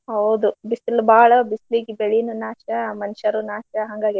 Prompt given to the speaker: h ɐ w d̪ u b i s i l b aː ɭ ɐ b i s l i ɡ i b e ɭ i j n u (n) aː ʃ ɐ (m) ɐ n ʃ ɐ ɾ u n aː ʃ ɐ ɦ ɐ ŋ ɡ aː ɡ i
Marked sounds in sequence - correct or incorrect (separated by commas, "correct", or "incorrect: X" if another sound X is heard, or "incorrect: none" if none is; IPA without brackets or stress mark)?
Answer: correct, correct